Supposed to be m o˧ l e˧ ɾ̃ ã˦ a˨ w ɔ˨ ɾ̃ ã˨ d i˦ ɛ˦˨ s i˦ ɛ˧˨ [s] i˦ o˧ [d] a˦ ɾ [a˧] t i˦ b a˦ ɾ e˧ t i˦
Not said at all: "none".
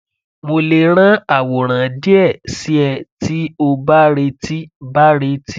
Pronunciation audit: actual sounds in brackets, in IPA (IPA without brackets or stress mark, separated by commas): t, b, e˧